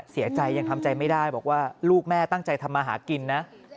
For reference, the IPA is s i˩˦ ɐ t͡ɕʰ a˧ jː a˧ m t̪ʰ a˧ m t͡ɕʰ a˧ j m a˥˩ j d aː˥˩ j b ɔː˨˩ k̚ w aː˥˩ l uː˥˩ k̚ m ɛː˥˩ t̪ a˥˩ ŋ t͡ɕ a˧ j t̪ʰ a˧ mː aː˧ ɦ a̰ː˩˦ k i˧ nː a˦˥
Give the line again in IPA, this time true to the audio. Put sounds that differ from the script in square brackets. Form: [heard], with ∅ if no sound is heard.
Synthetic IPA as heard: s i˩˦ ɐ [t͡ɕ] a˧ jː a˧ [ŋ] t̪ʰ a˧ m [t͡ɕ] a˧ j m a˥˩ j d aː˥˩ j b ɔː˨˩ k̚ w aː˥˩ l uː˥˩ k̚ m ɛː˥˩ t̪ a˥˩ ŋ t͡ɕ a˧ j t̪ʰ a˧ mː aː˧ ɦ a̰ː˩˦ k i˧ nː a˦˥